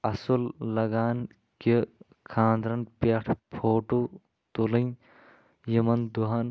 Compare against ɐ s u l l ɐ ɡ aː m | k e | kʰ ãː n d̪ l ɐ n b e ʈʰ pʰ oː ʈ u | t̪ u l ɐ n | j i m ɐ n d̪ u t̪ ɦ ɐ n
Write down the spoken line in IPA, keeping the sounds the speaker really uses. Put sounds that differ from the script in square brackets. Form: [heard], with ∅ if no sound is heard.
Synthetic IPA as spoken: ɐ s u l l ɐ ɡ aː [n] | k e | kʰ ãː n d̪ [ɾ] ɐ n [p] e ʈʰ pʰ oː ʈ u | t̪ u l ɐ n | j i m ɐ n d̪ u [∅] ɦ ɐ n